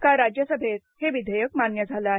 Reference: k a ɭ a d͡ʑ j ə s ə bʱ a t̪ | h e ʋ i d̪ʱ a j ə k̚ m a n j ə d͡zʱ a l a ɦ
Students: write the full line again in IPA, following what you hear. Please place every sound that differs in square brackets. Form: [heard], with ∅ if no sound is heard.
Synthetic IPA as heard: k a [ɾ] a d͡ʑ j ə s ə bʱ [e] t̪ | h e ʋ i d̪ʱ [ə] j ə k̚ m a n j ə d͡zʱ a l a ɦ